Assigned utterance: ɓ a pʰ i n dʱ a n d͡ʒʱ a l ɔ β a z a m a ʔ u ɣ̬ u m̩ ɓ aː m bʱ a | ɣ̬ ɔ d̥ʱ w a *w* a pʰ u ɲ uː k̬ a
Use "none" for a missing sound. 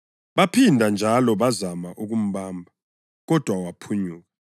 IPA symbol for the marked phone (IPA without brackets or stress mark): w